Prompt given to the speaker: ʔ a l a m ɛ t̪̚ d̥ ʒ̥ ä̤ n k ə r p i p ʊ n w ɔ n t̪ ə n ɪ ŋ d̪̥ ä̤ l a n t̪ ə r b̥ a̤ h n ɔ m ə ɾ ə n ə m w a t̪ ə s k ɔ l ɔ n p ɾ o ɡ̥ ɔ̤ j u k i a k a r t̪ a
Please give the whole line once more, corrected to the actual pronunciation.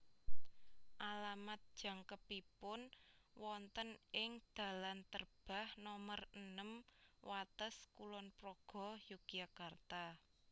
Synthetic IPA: ʔ a l a m a t̪̚ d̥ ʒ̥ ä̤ ŋ k ə p i p ʊ n w ɔ n t̪ ə n ɪ ŋ d̪̥ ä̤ l a n t̪ ə r b̥ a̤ h n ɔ m ə r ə n ə m w a t̪ ə s k u l ɔ n p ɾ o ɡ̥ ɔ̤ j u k i a k a r t̪ a